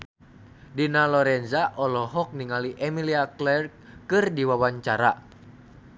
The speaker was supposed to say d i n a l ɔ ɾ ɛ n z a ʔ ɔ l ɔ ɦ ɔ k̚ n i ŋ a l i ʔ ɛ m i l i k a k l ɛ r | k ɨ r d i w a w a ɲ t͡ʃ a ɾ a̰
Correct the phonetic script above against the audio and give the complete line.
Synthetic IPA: d i n a l ɔ ɾ ɛ n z a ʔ ɔ l ɔ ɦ ɔ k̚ n i ŋ a l i ʔ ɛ m i l i a k l ɛ r | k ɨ r d i w a w a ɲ t͡ʃ a ɾ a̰